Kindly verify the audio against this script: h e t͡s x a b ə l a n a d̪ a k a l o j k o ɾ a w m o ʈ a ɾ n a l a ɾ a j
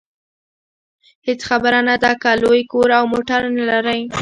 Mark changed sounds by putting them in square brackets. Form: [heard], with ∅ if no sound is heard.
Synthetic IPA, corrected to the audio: h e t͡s x a b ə [ɾ] a n a d̪ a k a l o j k o ɾ a w m o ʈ a ɾ n a l a ɾ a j